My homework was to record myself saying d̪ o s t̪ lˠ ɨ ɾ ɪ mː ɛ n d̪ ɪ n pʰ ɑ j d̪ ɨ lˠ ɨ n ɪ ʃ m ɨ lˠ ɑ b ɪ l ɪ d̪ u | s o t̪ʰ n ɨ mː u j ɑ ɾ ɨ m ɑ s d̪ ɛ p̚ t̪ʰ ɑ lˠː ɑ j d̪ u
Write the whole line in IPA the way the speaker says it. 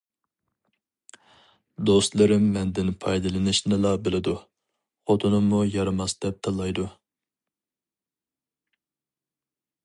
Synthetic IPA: d̪ o s t̪ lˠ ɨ ɾ ɪ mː ɛ n d̪ ɪ n pʰ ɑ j d̪ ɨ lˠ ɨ n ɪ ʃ n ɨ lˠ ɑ b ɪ l ɪ d̪ u | χ o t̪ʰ n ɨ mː u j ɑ ɾ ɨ m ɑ s d̪ ɛ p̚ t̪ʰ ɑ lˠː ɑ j d̪ u